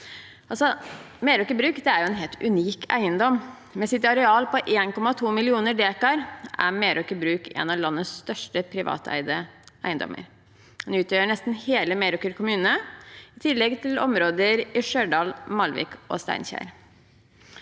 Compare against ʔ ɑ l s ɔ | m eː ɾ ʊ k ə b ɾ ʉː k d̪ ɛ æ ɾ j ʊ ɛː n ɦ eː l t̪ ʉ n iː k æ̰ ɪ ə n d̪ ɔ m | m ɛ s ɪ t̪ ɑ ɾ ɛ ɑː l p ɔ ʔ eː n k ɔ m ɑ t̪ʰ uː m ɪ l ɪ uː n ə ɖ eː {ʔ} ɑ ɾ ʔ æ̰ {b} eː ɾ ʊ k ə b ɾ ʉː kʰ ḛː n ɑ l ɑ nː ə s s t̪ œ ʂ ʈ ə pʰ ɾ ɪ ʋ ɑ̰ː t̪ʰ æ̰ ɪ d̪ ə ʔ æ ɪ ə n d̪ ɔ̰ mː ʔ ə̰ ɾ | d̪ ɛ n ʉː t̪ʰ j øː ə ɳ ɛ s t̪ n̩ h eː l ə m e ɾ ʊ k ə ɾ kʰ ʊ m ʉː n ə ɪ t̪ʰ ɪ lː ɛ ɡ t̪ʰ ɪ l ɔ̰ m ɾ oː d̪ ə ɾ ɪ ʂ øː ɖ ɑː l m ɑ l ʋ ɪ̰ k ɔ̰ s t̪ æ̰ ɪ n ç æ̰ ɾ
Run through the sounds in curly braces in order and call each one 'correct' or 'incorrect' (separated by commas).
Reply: incorrect, incorrect